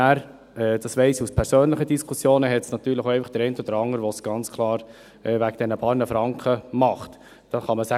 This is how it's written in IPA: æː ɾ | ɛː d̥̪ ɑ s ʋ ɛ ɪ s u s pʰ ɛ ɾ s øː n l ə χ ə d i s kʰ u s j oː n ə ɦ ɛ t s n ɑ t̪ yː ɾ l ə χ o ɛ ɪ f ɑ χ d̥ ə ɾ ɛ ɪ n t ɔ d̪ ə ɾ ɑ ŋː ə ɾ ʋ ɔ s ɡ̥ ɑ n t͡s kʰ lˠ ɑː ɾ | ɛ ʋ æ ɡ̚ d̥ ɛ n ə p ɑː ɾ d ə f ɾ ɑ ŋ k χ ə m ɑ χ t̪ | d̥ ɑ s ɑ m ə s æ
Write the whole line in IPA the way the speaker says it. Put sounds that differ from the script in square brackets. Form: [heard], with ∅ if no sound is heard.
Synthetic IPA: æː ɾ | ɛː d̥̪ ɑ s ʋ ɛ ɪ s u s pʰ ɛ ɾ s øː n l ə χ ə d i s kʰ u s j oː n ə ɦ ɛ t s n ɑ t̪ yː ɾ l ə χ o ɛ ɪ f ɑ χ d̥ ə ɾ ɛ ɪ n t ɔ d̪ ə ɾ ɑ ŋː ə ɾ ʋ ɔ s ɡ̥ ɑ n t͡s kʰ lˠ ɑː ɾ | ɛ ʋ æ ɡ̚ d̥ ɛ n ə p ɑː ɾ [n] ə f ɾ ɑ ŋ k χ ə m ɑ χ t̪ | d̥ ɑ [χ] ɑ m ə s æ